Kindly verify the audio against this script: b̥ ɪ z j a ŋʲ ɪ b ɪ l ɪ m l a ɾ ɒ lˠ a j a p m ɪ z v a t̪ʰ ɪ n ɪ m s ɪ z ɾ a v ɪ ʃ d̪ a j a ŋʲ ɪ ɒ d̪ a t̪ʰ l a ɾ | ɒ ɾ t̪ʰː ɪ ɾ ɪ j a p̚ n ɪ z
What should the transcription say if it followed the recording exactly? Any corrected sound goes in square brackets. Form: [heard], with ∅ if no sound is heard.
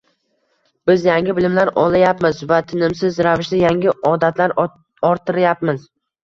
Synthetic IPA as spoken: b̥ ɪ z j a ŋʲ ɪ b ɪ l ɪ m l a ɾ ɒ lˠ a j a p m ɪ z v a t̪ʰ ɪ n ɪ m s ɪ z ɾ a v ɪ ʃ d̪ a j a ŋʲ ɪ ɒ d̪ a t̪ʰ l a ɾ | ɒ ɾ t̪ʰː ɪ ɾ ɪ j a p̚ [m] ɪ z